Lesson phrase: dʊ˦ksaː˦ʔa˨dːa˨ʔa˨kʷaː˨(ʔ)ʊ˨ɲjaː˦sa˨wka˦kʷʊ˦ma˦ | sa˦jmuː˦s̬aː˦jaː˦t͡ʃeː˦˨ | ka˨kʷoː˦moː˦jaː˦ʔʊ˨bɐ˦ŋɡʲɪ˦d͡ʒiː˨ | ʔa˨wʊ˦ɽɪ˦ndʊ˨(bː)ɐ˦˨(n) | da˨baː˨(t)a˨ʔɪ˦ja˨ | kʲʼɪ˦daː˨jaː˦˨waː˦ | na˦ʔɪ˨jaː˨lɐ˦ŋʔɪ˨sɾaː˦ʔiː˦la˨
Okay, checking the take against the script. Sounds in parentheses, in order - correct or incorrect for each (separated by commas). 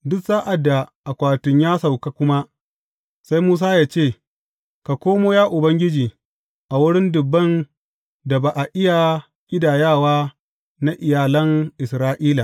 incorrect, correct, correct, incorrect